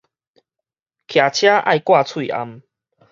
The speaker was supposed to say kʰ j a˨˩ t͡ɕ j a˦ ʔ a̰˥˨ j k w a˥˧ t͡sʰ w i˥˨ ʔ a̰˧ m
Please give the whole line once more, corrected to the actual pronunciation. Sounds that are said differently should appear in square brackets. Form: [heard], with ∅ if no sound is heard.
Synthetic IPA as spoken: kʰ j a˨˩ [t͡ɕʰ] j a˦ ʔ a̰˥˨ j k w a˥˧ t͡sʰ w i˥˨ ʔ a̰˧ m